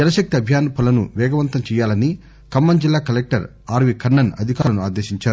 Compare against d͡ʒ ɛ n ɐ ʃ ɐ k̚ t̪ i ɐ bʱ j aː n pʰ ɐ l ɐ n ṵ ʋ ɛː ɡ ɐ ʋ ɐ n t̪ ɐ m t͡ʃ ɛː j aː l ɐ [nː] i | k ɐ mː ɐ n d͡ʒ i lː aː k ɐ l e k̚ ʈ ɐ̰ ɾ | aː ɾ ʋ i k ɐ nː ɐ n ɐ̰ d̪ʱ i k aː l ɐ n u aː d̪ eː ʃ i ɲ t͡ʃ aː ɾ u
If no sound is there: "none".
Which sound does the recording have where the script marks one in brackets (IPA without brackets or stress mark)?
n